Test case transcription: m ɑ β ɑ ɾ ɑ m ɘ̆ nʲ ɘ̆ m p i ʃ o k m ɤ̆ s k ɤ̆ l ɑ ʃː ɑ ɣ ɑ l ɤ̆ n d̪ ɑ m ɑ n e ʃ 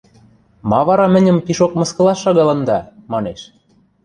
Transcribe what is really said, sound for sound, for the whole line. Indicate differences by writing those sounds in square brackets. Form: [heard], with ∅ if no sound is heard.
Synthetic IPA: m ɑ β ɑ ɾ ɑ m ɘ̆ nʲ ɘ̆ m p i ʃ o k m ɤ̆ s k ɤ̆ l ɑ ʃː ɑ ɣ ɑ l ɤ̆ n d̪ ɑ m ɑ n e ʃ